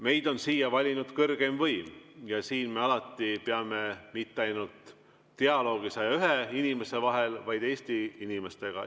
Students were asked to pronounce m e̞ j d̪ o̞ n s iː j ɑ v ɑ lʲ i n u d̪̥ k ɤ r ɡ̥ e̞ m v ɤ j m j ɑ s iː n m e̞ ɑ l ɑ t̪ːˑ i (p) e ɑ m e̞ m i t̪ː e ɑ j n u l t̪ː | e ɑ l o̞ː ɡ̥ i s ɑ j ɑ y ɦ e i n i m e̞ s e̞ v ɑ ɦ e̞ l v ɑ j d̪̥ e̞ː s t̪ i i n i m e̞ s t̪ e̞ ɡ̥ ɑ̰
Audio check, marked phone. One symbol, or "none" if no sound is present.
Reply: p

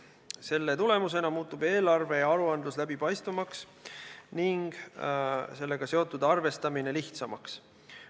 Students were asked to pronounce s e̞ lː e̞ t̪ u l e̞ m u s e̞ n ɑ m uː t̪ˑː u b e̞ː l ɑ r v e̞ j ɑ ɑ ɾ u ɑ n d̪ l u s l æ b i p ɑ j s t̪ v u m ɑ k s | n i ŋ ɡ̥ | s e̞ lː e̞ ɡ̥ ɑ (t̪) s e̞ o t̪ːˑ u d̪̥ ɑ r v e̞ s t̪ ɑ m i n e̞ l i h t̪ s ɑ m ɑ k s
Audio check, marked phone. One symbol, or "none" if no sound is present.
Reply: none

